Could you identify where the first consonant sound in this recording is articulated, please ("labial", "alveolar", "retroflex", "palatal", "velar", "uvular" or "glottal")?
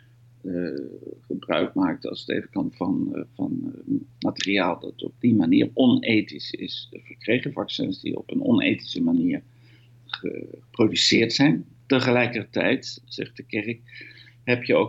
uvular